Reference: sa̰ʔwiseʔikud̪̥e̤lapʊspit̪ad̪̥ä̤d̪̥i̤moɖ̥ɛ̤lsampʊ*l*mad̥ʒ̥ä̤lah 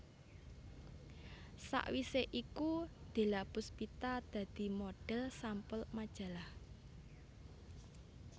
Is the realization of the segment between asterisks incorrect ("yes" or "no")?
no